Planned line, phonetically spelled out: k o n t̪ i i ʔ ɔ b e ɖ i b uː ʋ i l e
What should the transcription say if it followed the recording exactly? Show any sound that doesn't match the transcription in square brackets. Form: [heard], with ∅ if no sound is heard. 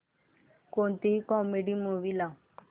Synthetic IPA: k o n t̪ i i [k] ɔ [m] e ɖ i [m] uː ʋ i l [a]